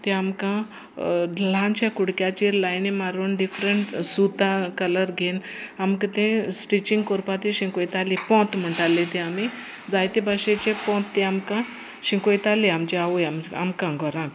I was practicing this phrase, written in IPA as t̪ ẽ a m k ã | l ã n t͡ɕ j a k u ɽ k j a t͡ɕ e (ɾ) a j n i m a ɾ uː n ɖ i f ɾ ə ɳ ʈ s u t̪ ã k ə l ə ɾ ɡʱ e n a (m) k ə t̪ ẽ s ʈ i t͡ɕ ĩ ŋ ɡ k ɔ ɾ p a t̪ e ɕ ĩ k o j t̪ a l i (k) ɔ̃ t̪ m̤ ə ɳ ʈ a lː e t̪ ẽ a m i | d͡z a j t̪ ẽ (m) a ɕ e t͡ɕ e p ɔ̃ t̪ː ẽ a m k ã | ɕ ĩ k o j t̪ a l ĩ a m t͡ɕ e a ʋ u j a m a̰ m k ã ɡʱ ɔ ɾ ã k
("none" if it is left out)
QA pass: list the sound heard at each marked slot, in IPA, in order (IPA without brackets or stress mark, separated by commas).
l, m, p, b